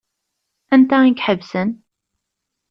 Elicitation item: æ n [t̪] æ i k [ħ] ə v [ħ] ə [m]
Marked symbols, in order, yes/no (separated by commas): yes, yes, no, no